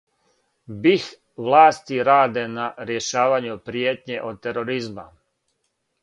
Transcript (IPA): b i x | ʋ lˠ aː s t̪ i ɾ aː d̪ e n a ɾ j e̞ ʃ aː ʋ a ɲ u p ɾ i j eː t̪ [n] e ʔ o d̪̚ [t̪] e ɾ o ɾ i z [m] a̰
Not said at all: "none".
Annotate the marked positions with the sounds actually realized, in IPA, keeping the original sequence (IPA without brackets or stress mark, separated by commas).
ɲ, t̪, m